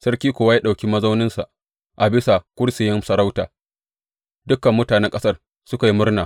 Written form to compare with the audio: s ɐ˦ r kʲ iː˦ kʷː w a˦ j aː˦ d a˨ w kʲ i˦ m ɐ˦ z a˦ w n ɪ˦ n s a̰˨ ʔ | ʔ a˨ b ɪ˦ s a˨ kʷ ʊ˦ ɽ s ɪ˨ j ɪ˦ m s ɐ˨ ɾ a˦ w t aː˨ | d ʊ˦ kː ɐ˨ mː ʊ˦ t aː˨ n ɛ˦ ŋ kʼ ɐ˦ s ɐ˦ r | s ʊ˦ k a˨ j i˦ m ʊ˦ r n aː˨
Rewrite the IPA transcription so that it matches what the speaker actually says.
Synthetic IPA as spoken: s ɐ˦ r kʲ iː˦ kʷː w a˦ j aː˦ ɗ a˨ w kʲ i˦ m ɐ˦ z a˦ w n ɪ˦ n s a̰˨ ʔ | ʔ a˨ b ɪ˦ s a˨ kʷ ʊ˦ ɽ s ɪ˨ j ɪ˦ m s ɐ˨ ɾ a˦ w t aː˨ | d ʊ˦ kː ɐ˨ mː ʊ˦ t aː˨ n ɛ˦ ŋ kʼ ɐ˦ s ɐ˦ r | s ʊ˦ k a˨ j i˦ m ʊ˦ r n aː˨